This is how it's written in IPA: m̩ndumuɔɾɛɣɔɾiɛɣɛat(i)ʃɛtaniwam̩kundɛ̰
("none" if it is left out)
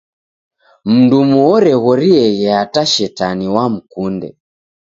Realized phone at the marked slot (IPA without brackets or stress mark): a